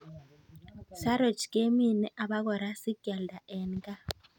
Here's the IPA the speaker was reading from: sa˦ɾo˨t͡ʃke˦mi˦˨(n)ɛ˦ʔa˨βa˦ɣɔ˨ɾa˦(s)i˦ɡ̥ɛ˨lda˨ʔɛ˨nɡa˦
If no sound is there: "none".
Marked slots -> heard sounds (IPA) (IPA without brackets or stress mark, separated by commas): n, s